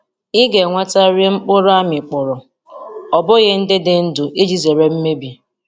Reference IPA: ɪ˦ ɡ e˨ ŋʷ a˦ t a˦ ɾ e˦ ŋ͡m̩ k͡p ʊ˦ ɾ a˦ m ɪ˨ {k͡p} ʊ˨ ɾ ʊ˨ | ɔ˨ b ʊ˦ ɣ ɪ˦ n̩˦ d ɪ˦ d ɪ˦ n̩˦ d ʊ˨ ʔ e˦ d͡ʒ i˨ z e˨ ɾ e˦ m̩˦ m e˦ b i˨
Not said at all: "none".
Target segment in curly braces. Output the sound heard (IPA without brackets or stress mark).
k͡p